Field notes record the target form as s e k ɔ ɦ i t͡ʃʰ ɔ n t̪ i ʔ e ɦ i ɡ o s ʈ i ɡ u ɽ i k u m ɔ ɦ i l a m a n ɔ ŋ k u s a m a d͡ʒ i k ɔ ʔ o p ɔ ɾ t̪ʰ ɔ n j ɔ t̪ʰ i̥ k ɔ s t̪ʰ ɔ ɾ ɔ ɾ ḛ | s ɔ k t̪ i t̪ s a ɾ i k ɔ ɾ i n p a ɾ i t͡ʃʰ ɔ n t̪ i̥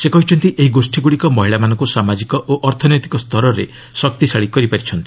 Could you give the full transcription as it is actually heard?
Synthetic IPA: s e k ɔ ɦ i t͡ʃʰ ɔ n t̪ i ʔ e ɦ i ɡ o s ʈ i ɡ u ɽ i k ɔ m ɔ ɦ i ɭ a m a n ɔ ŋ k u s a m a d͡ʒ i k ɔ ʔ o ʔ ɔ ɾ t̪ʰ ɔ n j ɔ t̪ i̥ k ɔ s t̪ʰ ɔ ɾ ɔ ɾ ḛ | s ɔ k t̪ i s a ɭ i k ɔ ɾ i p a ɾ i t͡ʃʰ ɔ n t̪ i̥